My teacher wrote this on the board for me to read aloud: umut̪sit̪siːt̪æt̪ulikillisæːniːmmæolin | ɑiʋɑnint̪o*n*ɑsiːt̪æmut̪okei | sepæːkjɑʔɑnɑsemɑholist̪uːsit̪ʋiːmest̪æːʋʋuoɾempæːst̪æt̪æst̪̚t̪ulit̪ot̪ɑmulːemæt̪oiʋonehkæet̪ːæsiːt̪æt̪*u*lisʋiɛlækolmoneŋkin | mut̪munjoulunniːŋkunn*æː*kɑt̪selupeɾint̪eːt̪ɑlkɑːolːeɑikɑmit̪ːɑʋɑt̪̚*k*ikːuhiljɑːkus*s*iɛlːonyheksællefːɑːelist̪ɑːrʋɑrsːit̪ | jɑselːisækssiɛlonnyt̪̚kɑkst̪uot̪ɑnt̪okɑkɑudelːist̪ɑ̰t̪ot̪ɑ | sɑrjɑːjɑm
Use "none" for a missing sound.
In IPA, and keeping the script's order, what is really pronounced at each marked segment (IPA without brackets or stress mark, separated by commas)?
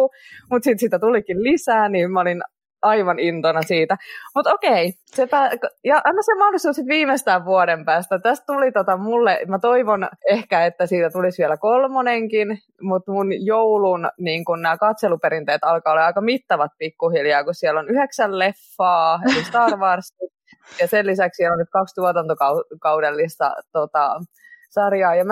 n, u, æː, p, s